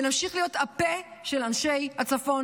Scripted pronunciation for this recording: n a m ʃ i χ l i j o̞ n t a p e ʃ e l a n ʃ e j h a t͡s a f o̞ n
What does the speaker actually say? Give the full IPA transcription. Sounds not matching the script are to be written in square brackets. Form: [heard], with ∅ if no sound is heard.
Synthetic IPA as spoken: n a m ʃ i χ l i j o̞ [∅] t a p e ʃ e l a n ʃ e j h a t͡s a f o̞ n